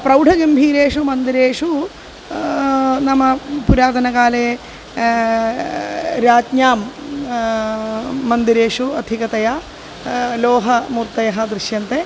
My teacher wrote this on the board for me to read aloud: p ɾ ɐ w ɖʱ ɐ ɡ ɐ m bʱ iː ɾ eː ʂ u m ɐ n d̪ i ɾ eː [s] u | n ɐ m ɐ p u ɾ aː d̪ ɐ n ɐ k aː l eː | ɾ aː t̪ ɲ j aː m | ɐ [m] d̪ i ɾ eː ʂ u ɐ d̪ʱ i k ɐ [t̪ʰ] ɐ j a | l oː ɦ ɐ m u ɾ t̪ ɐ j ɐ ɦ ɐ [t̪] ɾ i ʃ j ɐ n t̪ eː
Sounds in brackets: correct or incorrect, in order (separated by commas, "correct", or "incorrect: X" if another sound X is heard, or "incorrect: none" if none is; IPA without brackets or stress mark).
incorrect: ʂ, incorrect: n, incorrect: t̪, incorrect: d̪